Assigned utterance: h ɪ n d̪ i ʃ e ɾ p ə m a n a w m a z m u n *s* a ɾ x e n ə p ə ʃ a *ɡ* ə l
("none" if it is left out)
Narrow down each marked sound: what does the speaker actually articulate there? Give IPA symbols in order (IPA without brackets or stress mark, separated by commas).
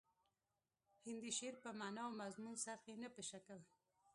s, k